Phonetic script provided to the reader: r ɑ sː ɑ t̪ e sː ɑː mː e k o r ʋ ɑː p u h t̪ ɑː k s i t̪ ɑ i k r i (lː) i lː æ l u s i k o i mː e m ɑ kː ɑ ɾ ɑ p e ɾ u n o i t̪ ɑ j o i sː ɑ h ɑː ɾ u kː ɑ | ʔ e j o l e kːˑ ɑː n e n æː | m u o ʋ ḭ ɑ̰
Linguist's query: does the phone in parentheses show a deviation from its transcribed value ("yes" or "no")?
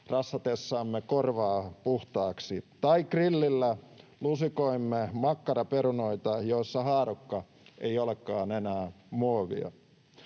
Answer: no